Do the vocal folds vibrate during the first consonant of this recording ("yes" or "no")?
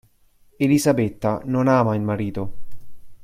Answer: yes